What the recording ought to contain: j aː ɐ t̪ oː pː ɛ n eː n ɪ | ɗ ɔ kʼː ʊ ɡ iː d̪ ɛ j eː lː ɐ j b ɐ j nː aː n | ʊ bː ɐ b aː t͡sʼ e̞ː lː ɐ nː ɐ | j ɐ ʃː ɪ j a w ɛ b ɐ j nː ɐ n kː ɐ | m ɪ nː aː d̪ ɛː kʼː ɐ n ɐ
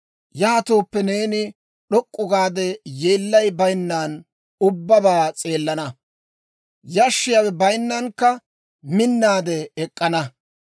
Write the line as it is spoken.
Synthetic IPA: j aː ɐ t̪ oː pː ɛ n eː n ɪ | ɗ ɔ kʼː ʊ ɡ aː d̪ ɛ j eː lː ɐ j b ɐ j nː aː n | ʊ bː ɐ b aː t͡sʼ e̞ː lː ɐ n ɐ | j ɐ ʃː ɪ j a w ɛ b ɐ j nː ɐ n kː ɐ | m ɪ nː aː d̪ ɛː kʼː ɐ n ɐ